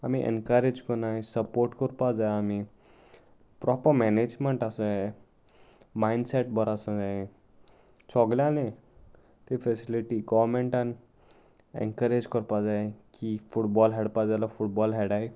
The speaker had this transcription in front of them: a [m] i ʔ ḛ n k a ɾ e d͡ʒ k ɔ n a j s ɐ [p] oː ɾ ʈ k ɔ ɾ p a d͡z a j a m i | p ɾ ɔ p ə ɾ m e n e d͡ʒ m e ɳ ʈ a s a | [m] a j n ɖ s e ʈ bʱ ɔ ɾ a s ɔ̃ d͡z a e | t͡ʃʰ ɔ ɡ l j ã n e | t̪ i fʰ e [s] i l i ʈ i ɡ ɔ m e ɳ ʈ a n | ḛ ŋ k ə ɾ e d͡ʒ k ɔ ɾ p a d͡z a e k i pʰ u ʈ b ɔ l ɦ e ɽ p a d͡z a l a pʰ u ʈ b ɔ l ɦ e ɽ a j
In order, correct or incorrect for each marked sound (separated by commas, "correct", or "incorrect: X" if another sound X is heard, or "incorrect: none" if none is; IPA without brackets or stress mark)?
correct, correct, correct, correct